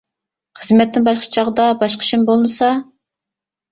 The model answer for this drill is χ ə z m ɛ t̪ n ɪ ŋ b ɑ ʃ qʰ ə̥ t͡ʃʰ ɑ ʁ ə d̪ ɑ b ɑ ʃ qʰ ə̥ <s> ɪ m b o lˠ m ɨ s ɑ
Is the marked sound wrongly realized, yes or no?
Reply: yes